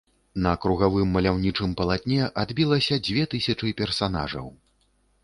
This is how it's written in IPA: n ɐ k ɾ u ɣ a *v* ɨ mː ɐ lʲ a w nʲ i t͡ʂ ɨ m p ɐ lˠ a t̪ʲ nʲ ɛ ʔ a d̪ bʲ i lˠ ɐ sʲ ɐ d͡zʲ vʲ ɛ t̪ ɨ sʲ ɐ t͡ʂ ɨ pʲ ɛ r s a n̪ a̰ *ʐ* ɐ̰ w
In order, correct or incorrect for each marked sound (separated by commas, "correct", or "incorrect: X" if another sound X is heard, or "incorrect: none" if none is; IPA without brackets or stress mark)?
correct, correct